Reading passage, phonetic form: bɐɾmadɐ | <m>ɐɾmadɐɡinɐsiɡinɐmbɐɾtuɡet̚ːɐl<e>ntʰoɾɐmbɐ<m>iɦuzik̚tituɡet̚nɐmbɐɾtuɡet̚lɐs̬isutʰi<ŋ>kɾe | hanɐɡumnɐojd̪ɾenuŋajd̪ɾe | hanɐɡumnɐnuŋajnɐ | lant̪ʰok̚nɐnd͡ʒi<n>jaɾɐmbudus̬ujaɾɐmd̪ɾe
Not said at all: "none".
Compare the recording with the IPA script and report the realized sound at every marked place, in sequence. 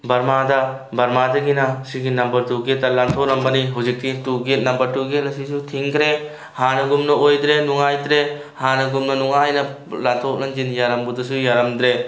b, a, n, ŋ, n

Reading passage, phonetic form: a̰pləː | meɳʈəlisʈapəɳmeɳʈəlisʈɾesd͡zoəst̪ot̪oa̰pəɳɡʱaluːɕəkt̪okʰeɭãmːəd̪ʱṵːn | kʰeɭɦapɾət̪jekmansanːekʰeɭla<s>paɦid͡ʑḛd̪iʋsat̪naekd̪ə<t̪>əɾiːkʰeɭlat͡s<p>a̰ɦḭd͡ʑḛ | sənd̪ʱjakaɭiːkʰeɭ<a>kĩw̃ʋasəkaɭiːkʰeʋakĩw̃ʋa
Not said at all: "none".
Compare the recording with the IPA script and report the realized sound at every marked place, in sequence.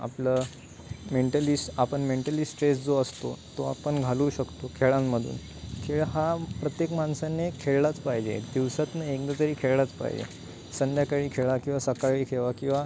t͡s, t̪, p, a

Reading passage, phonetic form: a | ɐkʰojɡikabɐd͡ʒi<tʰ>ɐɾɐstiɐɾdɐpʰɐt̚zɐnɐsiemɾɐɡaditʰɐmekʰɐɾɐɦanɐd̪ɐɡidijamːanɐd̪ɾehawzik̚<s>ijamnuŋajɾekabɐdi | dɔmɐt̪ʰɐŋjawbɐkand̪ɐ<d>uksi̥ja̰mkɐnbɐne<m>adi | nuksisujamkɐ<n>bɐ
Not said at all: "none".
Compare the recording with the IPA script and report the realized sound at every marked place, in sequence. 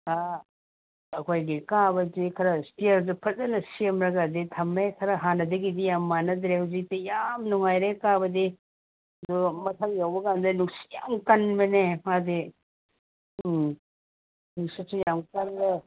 kʰ, t, n, m, n

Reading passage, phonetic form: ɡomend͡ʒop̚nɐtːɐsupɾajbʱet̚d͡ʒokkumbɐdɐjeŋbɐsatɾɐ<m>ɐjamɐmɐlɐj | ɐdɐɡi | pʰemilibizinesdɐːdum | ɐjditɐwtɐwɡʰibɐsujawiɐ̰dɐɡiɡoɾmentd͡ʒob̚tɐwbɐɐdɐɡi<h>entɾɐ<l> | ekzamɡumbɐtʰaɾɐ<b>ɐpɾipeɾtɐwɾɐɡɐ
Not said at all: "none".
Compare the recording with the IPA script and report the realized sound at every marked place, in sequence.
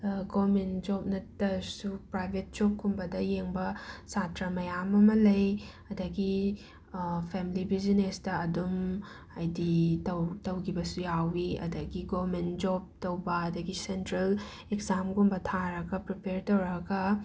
m, s, l, ɡ

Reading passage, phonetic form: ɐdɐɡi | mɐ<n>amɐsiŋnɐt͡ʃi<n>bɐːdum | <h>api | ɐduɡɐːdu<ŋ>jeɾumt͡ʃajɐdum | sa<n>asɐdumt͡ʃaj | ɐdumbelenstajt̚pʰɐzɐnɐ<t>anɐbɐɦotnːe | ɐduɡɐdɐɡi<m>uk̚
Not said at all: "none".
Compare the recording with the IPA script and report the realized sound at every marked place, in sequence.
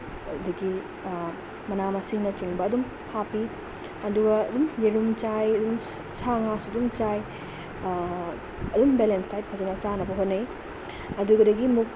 n, ŋ, h, m, ŋ, t͡ʃ, m

